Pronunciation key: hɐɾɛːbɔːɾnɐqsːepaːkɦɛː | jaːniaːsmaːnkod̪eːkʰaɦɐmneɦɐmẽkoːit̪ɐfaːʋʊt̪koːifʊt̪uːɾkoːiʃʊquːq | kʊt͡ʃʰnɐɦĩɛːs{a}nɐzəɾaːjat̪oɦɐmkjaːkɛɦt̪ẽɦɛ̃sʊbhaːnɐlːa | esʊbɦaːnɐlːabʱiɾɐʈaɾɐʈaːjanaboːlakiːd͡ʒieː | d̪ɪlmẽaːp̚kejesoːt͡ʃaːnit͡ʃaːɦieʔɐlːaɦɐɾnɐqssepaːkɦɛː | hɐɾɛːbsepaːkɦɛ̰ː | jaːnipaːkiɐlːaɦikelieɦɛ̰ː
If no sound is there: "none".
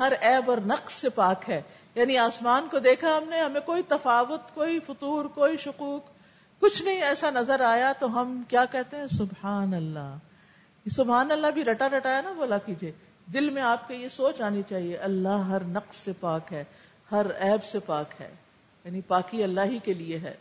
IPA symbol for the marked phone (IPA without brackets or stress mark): a